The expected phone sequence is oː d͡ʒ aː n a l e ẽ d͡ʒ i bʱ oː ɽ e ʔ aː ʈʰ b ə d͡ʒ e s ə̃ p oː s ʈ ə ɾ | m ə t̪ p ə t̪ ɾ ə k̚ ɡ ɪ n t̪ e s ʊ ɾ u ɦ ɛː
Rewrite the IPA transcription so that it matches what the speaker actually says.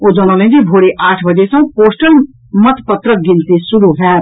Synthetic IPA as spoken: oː d͡ʒ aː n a l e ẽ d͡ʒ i bʱ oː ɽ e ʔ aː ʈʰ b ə d͡ʒ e s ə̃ p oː s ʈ ə l | m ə t̪ p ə t̪ ɾ ə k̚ ɡ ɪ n t̪ e s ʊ ɾ u ɦ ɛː